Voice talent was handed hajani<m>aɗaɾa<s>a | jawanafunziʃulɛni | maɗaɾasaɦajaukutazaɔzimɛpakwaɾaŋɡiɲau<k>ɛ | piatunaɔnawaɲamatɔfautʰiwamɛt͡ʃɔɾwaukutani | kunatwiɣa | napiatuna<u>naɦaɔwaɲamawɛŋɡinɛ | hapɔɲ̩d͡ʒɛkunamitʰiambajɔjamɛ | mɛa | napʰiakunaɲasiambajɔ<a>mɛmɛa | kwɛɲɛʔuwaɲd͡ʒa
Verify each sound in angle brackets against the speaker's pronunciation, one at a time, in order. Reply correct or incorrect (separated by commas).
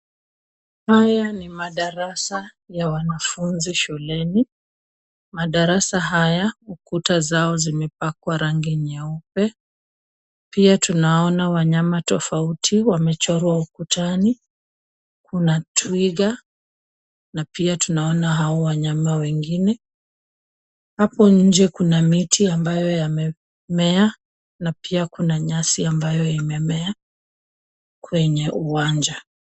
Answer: correct, correct, incorrect, incorrect, incorrect